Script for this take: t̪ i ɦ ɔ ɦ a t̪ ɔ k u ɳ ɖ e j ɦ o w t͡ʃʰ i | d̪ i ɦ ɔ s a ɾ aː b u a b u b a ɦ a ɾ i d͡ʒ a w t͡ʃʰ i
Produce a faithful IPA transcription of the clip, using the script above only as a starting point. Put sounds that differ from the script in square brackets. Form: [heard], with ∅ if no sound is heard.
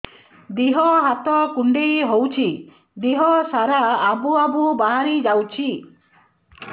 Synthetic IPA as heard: [d̪] i ɦ ɔ ɦ a t̪ ɔ k u ɳ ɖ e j ɦ o w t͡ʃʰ i | d̪ i ɦ ɔ s a ɾ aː b u a b u b a ɦ a ɾ i d͡ʒ a w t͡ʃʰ i